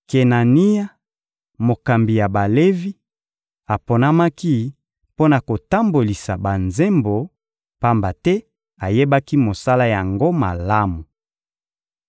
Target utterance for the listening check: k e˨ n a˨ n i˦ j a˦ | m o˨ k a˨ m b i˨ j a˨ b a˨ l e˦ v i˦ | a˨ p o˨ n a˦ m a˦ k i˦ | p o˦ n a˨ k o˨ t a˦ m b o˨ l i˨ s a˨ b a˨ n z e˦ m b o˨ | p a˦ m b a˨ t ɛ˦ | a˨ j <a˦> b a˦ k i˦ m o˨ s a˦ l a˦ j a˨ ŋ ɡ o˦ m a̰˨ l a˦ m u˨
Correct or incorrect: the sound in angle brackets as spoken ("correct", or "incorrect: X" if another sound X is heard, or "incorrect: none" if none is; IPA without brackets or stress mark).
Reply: incorrect: e˦